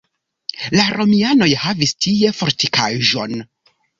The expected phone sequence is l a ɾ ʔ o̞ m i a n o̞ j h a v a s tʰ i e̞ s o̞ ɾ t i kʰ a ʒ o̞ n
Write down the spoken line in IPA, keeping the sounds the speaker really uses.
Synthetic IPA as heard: l a ɾ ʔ o̞ m i a n o̞ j h a v i s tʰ i e̞ f o̞ ɾ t i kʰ a ʒ o̞ n